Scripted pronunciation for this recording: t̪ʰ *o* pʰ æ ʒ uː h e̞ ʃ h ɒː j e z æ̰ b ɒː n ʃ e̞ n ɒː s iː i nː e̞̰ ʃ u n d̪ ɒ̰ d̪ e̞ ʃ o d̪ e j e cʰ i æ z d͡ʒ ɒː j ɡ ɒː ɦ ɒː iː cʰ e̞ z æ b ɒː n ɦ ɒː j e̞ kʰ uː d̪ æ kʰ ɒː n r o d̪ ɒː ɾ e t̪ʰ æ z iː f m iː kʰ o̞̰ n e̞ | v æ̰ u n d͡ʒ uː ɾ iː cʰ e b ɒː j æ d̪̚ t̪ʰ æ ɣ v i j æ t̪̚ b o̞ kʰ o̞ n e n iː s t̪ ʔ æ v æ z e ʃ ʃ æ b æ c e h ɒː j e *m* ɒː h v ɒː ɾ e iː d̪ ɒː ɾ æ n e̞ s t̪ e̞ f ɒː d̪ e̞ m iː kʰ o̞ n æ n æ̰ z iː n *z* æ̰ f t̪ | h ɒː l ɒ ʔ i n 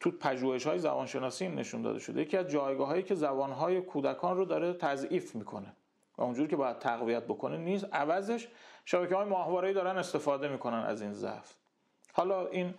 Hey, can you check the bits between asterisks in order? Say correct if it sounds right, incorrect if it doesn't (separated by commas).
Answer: incorrect, correct, correct